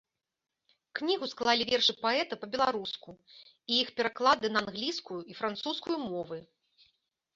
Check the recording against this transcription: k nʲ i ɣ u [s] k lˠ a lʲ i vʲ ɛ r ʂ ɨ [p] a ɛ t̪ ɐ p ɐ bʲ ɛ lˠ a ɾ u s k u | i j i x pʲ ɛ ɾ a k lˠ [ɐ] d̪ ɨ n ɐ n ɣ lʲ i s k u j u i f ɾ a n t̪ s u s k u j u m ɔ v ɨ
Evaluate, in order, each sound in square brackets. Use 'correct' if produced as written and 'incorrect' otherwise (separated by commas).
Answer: correct, correct, incorrect